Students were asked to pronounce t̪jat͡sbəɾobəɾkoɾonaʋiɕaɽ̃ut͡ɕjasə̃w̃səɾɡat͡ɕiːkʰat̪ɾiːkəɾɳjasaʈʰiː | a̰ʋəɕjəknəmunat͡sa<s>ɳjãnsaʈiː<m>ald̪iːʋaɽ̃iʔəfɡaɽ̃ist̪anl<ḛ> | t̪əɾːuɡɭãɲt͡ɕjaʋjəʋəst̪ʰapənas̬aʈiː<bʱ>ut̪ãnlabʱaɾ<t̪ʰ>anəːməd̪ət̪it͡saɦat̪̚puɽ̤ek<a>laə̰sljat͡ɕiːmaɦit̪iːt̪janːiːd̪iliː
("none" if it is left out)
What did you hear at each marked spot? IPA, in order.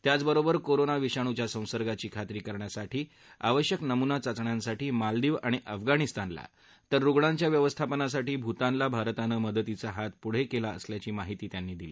t͡s, m, a̰, bʱ, t̪, e

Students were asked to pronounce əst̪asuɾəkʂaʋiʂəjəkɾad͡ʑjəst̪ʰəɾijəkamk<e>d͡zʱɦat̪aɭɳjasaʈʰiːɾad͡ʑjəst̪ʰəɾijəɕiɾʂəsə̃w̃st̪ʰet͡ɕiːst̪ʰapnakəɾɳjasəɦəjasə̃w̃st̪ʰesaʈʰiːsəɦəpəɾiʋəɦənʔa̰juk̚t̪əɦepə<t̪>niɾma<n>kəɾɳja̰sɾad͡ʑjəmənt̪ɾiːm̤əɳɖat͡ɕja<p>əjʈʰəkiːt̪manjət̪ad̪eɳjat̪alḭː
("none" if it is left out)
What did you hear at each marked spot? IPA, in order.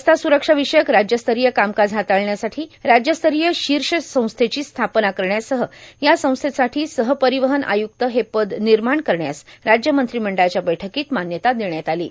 a, d̪, ɳ, b

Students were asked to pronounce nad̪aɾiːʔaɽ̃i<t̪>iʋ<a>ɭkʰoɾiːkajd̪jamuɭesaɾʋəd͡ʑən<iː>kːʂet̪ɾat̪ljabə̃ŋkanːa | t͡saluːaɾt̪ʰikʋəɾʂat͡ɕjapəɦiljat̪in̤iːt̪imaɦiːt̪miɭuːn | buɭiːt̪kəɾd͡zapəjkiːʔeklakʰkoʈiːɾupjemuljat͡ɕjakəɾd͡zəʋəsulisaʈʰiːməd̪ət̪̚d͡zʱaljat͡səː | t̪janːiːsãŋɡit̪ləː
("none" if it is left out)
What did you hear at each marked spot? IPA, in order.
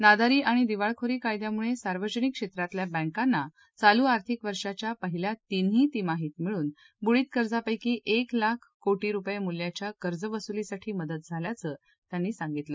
d̪, a, i

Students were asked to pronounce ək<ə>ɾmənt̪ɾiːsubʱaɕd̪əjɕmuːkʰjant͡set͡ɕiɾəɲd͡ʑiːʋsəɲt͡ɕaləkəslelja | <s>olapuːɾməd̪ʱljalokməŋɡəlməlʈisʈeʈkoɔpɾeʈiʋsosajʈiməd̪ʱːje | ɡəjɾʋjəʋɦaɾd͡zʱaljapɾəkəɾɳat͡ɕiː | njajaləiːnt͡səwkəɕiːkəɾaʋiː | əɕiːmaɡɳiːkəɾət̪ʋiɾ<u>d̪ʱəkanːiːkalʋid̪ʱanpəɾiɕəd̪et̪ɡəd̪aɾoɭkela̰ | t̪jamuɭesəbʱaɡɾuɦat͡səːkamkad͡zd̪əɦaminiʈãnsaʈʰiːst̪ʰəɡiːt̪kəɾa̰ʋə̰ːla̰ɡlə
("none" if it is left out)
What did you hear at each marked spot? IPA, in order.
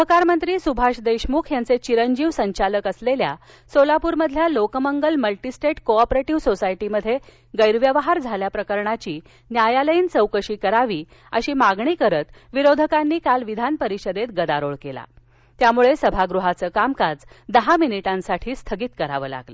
a, s, o

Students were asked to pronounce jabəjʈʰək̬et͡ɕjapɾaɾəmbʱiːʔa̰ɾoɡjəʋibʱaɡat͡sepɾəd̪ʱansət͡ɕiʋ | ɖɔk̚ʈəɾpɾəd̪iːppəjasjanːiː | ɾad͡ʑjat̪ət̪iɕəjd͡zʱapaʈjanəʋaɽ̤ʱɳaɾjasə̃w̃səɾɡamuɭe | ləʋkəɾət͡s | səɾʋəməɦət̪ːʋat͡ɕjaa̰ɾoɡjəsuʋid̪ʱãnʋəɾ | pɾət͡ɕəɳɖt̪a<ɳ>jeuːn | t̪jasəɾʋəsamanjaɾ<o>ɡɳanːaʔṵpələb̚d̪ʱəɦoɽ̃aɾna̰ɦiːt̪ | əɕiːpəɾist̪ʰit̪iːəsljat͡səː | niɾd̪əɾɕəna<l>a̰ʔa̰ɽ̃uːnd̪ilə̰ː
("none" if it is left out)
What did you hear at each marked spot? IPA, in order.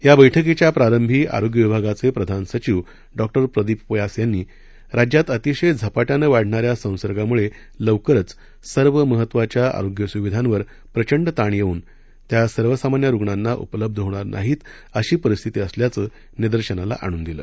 ɳ, u, l

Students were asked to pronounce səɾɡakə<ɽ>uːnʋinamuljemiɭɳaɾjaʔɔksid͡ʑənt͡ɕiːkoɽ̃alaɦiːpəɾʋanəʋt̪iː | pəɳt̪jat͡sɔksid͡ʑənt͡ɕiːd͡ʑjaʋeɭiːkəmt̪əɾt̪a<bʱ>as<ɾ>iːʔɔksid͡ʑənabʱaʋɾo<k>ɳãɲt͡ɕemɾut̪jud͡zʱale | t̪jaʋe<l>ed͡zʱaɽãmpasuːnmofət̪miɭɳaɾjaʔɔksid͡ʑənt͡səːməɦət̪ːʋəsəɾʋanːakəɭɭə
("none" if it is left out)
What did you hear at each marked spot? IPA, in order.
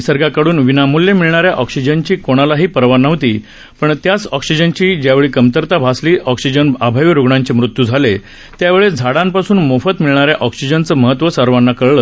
ɽ, bʱ, l, ɡ, ɭ

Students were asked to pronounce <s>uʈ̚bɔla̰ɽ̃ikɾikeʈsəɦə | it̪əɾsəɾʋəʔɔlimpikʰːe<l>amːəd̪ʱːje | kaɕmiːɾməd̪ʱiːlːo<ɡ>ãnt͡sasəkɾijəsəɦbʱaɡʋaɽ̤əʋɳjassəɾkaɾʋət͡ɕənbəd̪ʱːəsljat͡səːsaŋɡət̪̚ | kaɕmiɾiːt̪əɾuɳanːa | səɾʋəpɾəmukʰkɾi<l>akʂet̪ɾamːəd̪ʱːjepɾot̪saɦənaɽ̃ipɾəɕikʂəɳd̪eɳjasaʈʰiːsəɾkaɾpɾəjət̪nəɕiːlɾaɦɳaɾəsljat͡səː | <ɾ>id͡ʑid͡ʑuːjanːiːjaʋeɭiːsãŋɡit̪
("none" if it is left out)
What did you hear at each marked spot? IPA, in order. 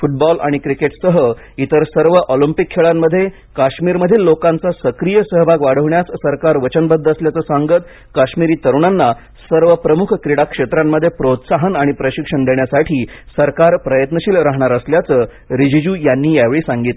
f, ɭ, k, ɽ, ɾ

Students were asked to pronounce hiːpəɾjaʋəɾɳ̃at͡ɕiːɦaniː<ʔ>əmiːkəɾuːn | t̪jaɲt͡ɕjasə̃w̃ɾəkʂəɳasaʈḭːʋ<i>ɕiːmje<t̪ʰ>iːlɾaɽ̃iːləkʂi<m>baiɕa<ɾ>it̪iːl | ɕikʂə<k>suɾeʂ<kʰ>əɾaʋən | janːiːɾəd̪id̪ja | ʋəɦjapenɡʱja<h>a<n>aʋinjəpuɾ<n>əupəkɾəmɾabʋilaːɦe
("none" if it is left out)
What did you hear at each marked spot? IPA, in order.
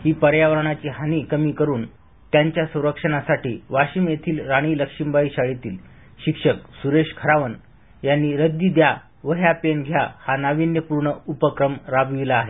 k, a, t̪ʰ, m, ɭ, k, kʰ, h, n, ɳ

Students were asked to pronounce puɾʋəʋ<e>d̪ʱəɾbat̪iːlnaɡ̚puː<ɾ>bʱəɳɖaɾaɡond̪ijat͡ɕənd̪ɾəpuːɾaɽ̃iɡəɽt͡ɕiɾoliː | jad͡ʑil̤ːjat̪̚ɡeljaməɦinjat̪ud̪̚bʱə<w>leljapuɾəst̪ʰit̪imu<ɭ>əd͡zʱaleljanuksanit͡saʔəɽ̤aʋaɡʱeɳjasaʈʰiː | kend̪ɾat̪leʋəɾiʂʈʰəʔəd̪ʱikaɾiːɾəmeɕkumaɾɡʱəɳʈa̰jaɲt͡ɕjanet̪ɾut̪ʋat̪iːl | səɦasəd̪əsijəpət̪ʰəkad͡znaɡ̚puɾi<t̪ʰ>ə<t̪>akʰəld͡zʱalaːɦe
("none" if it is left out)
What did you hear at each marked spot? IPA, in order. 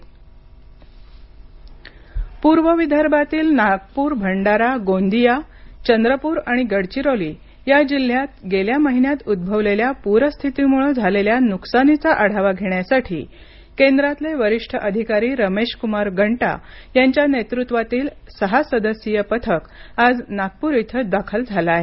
i, ɾ, ʋ, ɭ, t̪ʰ, d̪

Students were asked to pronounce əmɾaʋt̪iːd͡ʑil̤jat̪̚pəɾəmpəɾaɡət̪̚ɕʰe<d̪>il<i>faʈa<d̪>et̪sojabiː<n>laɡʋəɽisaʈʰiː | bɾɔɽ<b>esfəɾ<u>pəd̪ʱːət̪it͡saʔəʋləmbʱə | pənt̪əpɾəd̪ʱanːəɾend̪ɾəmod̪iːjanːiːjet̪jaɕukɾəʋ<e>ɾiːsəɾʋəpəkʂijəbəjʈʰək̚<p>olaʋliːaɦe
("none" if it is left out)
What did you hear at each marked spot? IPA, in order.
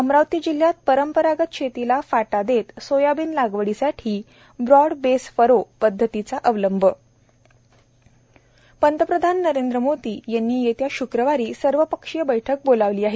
t̪, a, d̪, n, b, o, a, b

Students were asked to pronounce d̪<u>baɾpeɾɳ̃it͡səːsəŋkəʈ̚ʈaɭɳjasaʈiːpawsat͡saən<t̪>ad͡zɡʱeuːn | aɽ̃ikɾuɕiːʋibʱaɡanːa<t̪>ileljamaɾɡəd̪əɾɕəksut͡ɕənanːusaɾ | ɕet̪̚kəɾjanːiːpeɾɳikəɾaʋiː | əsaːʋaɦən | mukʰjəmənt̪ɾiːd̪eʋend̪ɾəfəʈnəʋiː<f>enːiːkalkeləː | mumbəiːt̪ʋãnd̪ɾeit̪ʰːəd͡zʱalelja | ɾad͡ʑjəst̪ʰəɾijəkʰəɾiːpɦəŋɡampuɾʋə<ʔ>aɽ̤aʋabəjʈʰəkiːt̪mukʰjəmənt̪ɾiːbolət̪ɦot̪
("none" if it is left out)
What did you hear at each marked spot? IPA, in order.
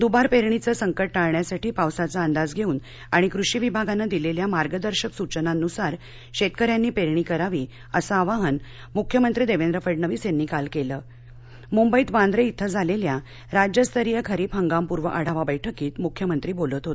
u, d̪, d̪, s, ʔ

